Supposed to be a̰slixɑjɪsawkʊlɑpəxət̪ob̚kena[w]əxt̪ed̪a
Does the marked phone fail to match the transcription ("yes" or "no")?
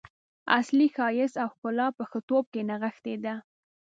yes